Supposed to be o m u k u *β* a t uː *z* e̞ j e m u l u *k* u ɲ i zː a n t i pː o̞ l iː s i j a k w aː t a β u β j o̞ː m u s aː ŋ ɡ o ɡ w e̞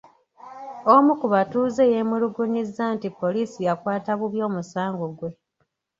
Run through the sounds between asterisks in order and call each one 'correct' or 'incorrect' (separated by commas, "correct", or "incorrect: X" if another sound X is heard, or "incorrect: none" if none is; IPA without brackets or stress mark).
correct, correct, incorrect: ɡ